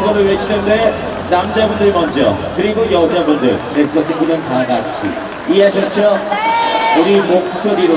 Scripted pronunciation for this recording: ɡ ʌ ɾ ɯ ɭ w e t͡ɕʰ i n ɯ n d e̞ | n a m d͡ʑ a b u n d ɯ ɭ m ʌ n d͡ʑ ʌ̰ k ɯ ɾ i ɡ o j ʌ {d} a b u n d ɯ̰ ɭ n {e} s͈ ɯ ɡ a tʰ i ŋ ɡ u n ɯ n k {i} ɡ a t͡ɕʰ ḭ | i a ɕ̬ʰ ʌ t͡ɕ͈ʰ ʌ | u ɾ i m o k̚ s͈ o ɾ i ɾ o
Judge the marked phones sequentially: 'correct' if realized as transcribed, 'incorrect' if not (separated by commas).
incorrect, correct, incorrect